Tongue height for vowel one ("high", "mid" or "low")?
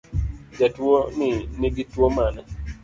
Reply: low